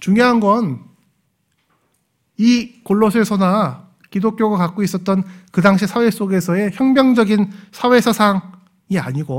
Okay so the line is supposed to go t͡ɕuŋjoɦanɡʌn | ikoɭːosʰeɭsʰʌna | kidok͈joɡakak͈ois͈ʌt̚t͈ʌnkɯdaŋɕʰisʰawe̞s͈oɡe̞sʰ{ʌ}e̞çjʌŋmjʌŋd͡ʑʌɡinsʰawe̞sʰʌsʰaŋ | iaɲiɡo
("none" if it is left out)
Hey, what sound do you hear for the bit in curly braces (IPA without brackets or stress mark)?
ʌ